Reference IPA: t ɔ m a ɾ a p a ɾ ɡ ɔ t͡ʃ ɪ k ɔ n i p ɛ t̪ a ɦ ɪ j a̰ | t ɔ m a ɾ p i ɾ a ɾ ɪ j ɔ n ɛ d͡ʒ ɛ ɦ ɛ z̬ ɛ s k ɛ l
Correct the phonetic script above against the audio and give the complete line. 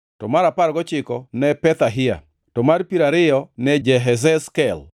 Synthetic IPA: t ɔ m a ɾ a p a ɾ ɡ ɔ t͡ʃ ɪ k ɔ n ɛ p ɛ t̪ a ɦ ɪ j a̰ | t ɔ m a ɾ p i ɾ a ɾ ɪ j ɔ n ɛ d͡ʒ ɛ ɦ ɛ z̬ ɛ s k ɛ l